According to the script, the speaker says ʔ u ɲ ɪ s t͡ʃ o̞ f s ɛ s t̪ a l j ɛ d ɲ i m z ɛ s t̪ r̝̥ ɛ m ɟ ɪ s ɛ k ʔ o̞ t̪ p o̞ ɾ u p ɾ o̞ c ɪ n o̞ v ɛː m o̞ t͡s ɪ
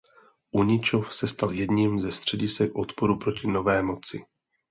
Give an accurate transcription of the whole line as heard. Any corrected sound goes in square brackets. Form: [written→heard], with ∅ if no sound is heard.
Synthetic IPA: ʔ u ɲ ɪ [s→∅] t͡ʃ o̞ f s ɛ s t̪ a l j ɛ d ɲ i m z ɛ s t̪ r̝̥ ɛ [m→∅] ɟ ɪ s ɛ k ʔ o̞ t̪ p o̞ ɾ u p ɾ o̞ c ɪ n o̞ v ɛː m o̞ t͡s ɪ